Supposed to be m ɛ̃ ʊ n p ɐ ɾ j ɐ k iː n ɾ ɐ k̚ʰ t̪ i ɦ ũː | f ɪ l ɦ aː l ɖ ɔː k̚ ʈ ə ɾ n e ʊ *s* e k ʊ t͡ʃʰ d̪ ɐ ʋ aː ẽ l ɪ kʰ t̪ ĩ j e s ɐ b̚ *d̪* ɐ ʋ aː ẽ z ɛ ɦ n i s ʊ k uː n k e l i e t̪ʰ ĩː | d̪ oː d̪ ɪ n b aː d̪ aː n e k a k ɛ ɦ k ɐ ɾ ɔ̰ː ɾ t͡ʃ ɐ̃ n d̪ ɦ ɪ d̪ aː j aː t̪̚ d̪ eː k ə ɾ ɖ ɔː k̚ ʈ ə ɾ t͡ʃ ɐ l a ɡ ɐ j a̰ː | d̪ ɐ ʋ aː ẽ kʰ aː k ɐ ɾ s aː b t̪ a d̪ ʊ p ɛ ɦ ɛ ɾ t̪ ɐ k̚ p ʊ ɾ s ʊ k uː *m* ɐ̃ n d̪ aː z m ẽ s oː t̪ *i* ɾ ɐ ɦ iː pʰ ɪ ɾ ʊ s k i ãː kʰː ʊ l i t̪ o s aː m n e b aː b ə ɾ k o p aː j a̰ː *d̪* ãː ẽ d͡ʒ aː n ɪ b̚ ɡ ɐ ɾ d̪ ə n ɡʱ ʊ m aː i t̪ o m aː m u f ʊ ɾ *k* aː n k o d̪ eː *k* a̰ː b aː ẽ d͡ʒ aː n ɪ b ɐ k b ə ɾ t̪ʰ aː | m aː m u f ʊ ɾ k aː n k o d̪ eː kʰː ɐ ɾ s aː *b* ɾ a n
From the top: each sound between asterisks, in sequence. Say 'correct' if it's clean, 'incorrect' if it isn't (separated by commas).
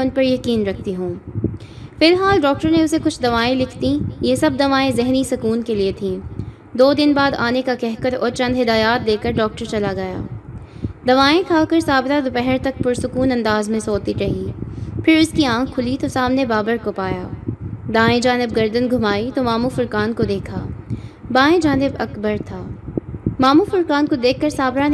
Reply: correct, correct, incorrect, correct, correct, correct, incorrect, correct